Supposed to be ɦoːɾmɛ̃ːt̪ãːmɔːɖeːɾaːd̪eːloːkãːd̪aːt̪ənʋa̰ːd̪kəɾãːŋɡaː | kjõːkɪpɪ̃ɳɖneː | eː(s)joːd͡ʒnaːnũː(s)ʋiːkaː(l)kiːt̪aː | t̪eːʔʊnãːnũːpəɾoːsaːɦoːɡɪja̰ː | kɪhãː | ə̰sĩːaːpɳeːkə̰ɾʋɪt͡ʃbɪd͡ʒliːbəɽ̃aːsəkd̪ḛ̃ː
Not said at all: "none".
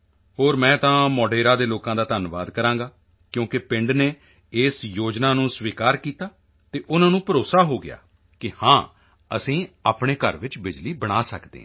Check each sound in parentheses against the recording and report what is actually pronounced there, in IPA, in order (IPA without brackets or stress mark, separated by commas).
s, s, ɾ